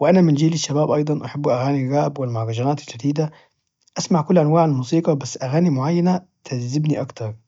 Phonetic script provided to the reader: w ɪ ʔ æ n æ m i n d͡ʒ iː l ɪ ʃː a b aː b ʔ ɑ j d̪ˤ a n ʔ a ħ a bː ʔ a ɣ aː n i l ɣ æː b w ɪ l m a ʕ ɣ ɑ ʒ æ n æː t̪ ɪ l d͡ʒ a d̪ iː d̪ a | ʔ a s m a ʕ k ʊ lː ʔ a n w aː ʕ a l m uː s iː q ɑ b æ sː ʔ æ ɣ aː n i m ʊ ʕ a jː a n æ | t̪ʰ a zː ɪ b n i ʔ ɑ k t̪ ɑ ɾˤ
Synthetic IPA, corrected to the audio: w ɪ ʔ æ n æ m ɪ n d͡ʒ iː l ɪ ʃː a b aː b ʔ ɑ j d̪ˤ ɑ n ʔ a ħ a bː ʔ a ɣ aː n i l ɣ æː b w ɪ l m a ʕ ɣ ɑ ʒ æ n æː t̪ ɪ l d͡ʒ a d̪ iː d̪ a | ʔ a s m a ʕ k ʊ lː ʔ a n w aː ʕ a l m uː s iː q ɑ b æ sː ʔ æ ɣ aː n i m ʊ ʕ a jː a n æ | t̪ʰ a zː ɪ b n i ʔ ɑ k t̪ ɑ ɾˤ